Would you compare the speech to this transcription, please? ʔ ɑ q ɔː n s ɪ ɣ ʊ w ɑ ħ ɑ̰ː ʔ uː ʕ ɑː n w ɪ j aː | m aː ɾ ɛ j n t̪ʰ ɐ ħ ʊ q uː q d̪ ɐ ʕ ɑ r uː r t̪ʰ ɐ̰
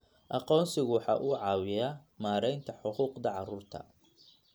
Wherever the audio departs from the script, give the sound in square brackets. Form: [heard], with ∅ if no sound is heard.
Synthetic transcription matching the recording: ʔ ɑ q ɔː n s ɪ ɣ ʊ w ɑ ħ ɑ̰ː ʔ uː ʕ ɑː [∅] w ɪ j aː | m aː ɾ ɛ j n t̪ʰ ɐ ħ ʊ q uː q d̪ ɐ ʕ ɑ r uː r t̪ʰ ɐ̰